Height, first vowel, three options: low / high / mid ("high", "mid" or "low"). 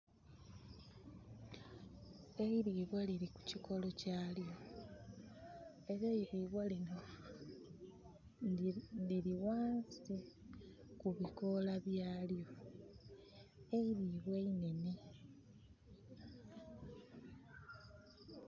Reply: mid